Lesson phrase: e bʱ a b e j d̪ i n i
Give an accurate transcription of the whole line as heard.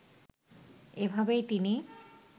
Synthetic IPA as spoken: e bʱ a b e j t̪ i n i